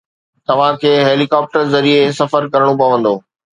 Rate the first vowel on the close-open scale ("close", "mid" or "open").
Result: open